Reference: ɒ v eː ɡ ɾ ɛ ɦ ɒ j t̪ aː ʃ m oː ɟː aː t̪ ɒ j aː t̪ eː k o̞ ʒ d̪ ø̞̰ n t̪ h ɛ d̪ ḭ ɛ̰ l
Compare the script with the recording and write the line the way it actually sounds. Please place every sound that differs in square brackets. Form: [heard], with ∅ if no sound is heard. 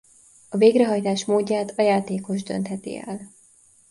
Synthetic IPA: ɒ v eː ɡ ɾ ɛ ɦ ɒ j t̪ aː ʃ m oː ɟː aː t̪ ɒ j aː t̪ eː k o̞ ʒ d̪ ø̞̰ n t̪ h ɛ [t̪] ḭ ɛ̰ l